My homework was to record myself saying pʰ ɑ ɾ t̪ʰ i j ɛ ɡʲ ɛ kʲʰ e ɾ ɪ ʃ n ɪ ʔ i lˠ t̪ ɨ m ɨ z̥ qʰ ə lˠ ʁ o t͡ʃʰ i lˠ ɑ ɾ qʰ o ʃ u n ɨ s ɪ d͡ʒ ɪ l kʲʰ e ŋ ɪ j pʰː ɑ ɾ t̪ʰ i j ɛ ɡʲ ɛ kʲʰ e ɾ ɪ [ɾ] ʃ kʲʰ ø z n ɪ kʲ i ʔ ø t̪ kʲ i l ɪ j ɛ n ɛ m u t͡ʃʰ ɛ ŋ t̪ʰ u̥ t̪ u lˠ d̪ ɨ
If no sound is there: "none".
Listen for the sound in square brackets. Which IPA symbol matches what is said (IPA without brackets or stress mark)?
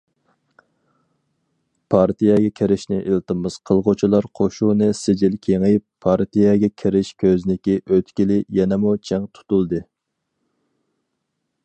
none